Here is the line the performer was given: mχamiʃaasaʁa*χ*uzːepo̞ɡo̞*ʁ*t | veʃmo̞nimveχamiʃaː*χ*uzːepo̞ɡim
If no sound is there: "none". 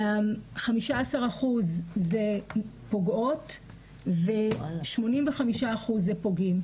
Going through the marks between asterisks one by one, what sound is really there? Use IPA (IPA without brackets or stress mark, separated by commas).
χ, none, χ